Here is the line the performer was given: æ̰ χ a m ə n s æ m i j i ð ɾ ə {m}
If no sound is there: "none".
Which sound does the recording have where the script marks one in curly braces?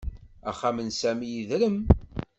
m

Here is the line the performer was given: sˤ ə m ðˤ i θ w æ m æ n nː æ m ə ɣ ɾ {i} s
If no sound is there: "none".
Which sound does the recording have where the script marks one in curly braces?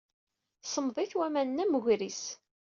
i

